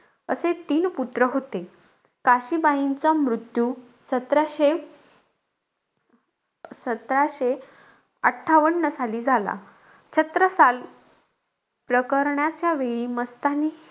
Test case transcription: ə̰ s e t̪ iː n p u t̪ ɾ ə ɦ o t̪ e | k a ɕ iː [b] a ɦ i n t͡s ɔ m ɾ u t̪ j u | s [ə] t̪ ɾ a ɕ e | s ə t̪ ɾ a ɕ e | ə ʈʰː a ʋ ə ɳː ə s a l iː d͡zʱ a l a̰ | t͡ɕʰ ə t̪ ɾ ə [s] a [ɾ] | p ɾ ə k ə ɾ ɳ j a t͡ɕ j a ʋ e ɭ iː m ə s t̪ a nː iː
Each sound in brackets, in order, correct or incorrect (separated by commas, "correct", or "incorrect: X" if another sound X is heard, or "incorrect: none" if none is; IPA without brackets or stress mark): correct, correct, correct, incorrect: l